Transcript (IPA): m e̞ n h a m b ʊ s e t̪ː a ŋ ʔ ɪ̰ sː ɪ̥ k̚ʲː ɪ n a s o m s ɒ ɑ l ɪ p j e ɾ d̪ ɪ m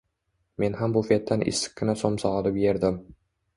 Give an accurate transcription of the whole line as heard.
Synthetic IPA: m e̞ n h a m b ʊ f e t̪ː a n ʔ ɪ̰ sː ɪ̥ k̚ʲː ɪ n a s o m s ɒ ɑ l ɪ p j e ɾ d̪ ɪ m